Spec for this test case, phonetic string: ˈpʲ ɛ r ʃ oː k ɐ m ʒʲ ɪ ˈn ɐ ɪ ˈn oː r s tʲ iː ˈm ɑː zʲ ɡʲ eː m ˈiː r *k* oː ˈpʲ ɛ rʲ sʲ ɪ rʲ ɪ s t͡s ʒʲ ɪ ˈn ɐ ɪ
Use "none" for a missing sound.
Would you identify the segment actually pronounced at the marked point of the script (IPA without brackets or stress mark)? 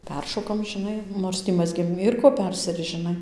k